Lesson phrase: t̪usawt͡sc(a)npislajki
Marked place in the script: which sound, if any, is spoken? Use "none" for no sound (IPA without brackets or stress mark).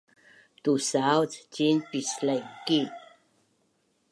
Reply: i